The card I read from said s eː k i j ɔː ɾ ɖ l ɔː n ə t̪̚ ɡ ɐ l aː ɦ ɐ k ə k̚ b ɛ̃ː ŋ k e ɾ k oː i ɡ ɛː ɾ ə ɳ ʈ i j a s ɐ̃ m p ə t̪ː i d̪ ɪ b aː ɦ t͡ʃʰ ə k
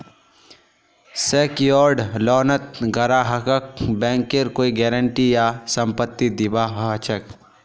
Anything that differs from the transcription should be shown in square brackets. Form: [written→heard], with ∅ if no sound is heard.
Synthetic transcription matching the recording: s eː k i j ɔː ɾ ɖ l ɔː n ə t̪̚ ɡ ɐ [l→ɾ] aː ɦ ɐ k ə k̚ b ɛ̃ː ŋ k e ɾ k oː i ɡ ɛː ɾ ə ɳ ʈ i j a s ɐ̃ m p ə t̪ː i d̪ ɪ b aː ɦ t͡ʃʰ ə k